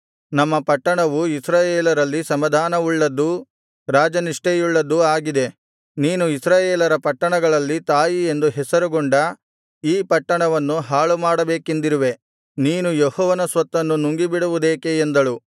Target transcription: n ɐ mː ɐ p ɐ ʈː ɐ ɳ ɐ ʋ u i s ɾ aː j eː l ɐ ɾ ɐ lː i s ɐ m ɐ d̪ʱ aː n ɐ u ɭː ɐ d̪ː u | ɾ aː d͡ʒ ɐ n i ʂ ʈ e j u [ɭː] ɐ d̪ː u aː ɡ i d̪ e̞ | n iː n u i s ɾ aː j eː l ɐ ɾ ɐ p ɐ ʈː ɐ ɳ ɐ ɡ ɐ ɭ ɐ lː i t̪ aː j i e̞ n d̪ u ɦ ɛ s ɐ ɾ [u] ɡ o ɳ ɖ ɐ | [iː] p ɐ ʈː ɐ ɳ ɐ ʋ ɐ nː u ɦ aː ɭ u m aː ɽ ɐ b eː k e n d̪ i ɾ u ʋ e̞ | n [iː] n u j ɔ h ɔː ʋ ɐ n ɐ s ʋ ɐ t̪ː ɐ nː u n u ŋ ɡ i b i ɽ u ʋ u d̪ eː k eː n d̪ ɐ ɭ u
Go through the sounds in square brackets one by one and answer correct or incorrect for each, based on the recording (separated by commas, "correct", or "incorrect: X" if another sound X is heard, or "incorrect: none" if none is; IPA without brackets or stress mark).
correct, correct, correct, correct